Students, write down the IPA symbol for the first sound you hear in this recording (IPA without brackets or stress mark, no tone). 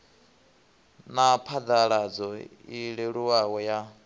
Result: n